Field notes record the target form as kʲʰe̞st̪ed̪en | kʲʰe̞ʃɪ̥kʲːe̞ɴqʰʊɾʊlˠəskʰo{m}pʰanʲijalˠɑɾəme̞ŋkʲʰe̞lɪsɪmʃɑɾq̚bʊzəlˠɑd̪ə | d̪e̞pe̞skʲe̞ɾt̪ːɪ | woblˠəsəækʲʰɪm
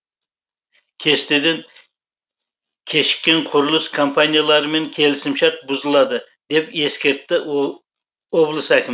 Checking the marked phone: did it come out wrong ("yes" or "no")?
no